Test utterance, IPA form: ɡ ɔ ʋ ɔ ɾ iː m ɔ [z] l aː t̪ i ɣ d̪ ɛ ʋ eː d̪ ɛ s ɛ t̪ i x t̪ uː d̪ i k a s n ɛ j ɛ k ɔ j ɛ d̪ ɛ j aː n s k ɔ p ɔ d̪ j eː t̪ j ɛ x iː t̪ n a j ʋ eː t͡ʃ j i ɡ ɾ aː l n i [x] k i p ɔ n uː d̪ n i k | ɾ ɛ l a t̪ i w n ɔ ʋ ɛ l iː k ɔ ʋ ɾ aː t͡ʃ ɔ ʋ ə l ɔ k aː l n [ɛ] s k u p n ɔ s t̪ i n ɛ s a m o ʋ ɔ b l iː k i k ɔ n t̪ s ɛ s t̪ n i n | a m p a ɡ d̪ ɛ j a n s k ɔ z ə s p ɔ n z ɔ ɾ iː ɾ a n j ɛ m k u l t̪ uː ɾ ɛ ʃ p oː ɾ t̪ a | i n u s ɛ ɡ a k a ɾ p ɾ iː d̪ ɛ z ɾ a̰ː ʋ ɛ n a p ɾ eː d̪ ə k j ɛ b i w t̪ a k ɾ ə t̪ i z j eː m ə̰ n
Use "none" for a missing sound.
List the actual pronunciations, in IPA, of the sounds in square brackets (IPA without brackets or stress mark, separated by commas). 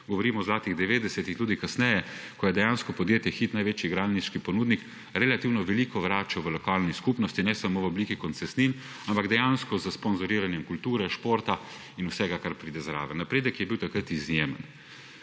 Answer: z, ʃ, i